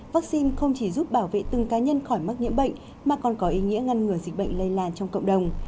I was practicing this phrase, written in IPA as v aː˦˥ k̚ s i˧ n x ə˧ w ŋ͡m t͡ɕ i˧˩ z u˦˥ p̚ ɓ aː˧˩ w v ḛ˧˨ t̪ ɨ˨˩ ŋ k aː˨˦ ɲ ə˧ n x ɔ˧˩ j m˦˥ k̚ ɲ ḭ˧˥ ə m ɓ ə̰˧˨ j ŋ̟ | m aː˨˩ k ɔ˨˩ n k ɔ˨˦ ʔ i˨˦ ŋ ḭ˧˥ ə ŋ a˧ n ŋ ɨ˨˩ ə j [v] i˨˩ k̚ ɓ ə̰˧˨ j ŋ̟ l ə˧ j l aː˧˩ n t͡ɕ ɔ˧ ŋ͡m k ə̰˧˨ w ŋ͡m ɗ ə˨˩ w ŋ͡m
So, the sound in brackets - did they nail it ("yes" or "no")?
no